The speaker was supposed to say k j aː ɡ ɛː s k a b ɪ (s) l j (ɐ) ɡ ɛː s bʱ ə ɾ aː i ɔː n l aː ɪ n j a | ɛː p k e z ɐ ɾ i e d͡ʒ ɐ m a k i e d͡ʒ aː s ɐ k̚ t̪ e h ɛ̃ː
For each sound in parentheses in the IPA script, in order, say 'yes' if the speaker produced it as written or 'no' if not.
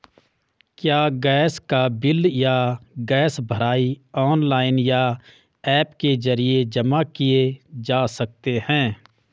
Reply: no, no

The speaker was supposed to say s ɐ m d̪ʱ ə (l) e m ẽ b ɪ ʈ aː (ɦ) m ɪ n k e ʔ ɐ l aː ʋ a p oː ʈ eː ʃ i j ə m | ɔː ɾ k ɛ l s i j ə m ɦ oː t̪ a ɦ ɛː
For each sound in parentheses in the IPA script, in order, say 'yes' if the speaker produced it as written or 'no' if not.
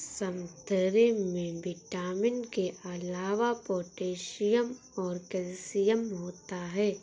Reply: no, no

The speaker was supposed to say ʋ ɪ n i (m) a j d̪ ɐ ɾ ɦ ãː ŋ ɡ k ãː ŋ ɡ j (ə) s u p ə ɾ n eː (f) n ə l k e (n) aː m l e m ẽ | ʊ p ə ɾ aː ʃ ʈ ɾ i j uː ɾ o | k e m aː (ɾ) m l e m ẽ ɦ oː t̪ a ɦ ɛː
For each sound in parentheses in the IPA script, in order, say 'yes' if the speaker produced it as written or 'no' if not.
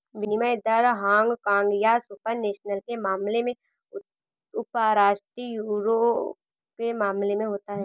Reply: yes, no, no, no, no

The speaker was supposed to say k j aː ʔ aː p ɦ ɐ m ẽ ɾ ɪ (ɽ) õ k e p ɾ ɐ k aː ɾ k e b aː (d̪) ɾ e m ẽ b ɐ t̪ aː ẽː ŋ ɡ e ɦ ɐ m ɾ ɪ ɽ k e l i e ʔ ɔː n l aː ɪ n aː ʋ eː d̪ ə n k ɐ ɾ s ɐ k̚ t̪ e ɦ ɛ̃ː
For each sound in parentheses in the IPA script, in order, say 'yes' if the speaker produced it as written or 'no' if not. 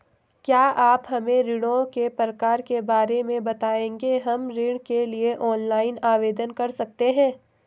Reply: yes, no

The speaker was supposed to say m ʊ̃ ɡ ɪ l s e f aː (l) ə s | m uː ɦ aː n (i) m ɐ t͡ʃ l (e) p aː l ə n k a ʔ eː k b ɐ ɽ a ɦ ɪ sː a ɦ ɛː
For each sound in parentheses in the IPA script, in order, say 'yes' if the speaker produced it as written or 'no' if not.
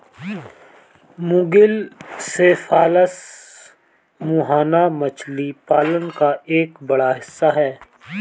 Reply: yes, no, no

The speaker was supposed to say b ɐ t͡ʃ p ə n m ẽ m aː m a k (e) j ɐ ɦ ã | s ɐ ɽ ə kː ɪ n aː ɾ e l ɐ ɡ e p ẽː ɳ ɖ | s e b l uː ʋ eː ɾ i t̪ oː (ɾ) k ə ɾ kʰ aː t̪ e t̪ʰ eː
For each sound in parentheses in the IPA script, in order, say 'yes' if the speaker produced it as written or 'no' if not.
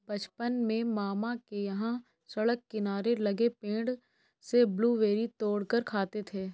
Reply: yes, no

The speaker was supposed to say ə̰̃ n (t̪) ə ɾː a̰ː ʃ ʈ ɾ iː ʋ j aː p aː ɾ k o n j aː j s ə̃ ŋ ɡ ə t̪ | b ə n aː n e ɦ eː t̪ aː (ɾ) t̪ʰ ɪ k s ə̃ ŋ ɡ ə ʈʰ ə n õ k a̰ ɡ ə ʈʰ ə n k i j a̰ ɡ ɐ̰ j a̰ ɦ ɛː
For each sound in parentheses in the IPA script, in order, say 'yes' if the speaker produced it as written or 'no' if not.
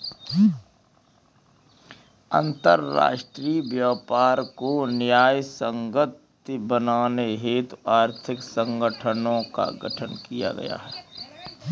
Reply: yes, yes

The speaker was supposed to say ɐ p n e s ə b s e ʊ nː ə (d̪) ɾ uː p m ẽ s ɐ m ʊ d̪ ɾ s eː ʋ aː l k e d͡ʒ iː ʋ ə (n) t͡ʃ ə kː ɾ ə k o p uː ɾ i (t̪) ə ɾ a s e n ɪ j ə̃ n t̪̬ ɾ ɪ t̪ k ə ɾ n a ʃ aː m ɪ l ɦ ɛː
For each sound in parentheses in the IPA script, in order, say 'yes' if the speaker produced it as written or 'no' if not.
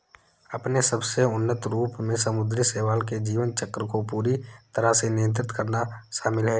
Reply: no, yes, yes

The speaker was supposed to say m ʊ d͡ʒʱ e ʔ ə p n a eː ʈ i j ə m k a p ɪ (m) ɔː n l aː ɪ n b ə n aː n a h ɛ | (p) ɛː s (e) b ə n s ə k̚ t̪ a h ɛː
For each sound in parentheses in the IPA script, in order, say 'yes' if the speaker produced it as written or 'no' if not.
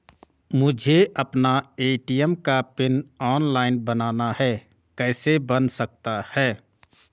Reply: no, no, yes

